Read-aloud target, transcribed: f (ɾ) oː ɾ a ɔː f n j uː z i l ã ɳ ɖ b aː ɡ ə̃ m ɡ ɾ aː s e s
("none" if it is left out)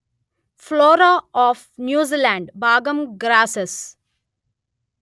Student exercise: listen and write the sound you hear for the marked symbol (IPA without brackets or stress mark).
l